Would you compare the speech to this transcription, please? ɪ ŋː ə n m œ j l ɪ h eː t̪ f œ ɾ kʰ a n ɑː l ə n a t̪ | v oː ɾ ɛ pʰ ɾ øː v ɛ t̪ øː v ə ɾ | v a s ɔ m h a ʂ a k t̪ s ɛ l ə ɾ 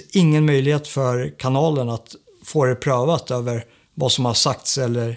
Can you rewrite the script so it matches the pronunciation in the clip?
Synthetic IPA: ɪ ŋː ə n m œ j l ɪ h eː t̪ f œ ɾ kʰ a n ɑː l ə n a t̪ | f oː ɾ ɛ pʰ ɾ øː v a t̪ øː v ə ɾ | v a s ɔ m h a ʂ a k t̪ s ɛ lː ə ɾ